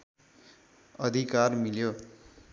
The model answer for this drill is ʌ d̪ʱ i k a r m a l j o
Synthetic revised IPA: ʌ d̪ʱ i k a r m i l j o

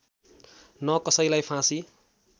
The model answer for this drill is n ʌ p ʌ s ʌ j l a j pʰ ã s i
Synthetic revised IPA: n ʌ k ʌ s ʌ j l a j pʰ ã s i

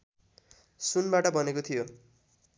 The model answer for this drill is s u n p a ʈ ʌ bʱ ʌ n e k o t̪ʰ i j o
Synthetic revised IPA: s u n b a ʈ ʌ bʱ ʌ n e k o t̪ʰ i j o

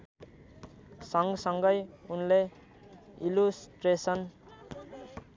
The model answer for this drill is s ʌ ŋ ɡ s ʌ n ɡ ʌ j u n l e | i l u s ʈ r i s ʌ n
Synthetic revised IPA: s ʌ ŋ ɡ s ʌ ŋ ɡ ʌ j u n l e | i l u s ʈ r e s ʌ n

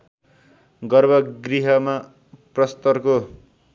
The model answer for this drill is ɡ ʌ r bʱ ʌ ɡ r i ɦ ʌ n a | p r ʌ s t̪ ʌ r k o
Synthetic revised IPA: ɡ ʌ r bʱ ʌ ɡ r i ɦ ʌ m a | p r ʌ s t̪ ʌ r k o

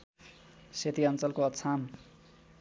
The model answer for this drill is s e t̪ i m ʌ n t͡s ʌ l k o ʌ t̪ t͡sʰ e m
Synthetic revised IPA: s e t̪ i ʌ n t͡s ʌ l k o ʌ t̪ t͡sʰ a m

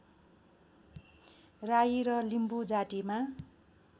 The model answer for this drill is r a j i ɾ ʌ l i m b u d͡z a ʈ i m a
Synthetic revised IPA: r a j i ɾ ʌ l i m b u d͡z a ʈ i m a

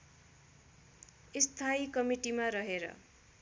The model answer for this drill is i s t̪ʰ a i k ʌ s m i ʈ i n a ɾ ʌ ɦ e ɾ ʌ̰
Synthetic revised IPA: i s t̪ʰ a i k ʌ m i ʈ i m a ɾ ʌ ɦ e ɾ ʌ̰

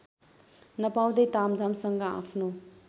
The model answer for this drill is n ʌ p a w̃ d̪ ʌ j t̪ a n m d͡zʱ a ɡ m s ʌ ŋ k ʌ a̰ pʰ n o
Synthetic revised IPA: n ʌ p a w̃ d̪ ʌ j t̪ a m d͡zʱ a m s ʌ ŋ ɡ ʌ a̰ pʰ n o

